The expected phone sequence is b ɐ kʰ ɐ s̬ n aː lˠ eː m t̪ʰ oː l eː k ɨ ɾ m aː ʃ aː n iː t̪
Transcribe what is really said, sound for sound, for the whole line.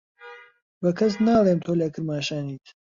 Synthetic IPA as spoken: b ɐ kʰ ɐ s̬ n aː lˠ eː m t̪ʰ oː l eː k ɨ ɾ m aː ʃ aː n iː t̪